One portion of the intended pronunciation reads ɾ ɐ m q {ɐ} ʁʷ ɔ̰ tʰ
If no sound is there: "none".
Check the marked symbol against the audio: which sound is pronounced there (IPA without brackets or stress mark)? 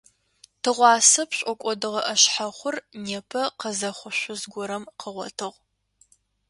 ə